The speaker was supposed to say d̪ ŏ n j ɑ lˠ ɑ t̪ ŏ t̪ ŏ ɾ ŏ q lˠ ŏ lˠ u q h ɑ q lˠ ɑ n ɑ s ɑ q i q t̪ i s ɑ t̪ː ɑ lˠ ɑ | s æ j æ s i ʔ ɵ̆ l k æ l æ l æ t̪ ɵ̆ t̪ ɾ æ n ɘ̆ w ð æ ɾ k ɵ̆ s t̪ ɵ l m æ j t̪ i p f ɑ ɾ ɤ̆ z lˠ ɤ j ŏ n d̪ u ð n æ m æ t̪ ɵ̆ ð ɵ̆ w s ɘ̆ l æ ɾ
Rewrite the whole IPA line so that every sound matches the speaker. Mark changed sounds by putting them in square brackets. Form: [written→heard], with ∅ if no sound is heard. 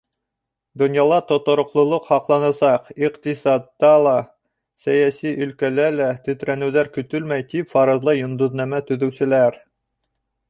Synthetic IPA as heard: d̪ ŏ n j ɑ lˠ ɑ t̪ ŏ t̪ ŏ ɾ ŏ q lˠ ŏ lˠ [u→o] q h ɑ q lˠ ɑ n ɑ s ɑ q i q t̪ i s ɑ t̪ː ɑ lˠ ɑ | s æ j æ s i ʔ ɵ̆ l k æ l æ l æ t̪ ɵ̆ t̪ ɾ æ n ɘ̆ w ð æ ɾ k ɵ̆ [s→∅] t̪ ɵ l m æ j t̪ i p f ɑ ɾ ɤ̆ z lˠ ɤ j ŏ n d̪ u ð n æ m æ t̪ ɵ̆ ð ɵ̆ w s ɘ̆ l æ ɾ